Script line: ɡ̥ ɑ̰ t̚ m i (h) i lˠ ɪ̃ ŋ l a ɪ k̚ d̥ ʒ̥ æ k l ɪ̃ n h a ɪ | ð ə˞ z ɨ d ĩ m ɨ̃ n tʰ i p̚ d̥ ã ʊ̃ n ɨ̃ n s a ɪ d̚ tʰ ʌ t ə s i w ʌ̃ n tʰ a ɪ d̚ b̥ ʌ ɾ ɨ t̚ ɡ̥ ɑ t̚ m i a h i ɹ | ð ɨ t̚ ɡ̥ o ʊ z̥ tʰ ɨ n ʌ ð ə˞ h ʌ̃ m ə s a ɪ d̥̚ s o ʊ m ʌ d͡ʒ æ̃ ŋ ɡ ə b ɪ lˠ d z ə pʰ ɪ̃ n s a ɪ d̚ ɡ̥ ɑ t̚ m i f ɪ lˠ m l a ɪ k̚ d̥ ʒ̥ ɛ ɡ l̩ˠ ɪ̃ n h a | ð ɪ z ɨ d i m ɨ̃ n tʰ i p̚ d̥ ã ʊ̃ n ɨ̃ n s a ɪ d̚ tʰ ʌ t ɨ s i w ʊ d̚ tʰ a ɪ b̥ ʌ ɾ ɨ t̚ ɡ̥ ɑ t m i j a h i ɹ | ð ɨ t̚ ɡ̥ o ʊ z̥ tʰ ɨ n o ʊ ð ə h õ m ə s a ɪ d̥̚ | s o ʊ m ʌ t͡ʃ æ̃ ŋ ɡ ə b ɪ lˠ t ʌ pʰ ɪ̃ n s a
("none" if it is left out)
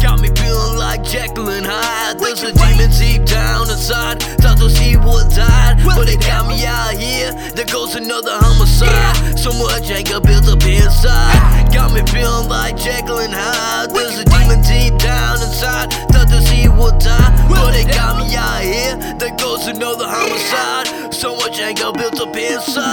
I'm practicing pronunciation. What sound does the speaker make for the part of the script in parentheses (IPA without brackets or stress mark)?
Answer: f